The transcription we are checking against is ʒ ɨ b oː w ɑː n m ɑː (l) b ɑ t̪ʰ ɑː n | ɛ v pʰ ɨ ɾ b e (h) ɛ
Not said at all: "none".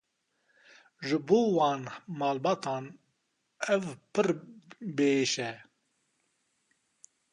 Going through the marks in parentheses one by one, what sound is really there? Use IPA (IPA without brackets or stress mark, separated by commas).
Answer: l, ʃ